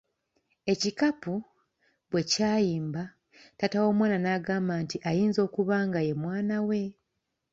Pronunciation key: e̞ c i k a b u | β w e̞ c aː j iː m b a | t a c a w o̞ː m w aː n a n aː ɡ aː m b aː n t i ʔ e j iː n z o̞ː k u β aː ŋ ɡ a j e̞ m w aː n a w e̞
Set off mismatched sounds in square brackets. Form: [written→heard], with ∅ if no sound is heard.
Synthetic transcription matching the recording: e̞ c i k a [b→p] u | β w e̞ c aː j iː m b a | t a [c→t] a w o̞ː m w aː n a n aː ɡ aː m b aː n t i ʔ [e→a] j iː n z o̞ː k u β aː ŋ ɡ a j e̞ m w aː n a w e̞